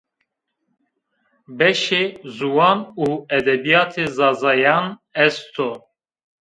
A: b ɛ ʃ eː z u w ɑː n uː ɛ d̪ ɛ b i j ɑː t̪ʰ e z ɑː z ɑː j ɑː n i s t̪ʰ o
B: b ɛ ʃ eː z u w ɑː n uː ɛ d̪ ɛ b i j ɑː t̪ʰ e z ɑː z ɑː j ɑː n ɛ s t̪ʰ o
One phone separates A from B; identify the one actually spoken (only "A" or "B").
B